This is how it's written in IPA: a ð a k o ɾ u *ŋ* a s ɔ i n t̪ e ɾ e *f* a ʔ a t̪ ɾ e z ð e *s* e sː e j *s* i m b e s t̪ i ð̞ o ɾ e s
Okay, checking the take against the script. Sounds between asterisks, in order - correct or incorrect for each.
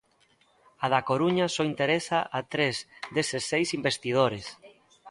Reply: incorrect: ɲ, incorrect: s, correct, correct

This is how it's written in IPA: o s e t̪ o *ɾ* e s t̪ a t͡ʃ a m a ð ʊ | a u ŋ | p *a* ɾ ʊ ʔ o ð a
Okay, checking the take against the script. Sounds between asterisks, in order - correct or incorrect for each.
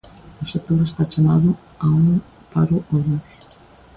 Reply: correct, correct

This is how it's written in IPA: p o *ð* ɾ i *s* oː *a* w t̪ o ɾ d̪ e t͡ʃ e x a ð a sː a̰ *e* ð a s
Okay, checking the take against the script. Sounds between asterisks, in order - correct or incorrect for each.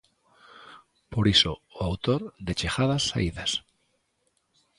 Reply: incorrect: none, correct, correct, incorrect: i

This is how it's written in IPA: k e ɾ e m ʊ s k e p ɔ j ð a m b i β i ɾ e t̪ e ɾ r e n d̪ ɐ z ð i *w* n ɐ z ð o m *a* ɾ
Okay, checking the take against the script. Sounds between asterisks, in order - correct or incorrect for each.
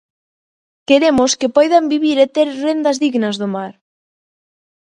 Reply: incorrect: ɣ, correct

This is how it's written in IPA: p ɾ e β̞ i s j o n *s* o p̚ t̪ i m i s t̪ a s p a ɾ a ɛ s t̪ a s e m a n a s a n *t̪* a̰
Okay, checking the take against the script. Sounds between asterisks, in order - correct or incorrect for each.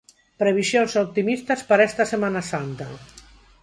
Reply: correct, correct

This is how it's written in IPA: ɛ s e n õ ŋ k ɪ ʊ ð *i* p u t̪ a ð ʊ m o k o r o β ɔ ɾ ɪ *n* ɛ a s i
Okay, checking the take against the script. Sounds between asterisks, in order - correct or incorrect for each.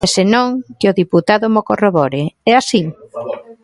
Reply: correct, incorrect: none

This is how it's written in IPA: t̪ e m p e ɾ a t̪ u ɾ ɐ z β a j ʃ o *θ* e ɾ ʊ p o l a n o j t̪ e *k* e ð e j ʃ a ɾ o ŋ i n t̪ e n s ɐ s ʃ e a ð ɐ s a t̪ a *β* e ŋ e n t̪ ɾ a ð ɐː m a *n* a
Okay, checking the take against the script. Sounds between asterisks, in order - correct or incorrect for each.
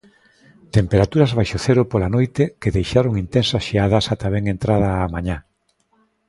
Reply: correct, correct, correct, incorrect: ɲ

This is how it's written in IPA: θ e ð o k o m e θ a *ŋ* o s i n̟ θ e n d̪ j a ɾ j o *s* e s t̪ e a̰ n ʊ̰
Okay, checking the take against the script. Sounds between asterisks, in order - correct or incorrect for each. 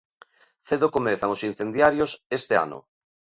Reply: correct, correct

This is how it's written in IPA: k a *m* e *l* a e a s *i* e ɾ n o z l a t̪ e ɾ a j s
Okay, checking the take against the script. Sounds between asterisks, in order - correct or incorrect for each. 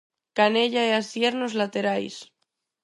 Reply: incorrect: n, incorrect: ʎ, incorrect: j

